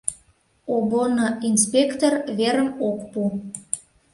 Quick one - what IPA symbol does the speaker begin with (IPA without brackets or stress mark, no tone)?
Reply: o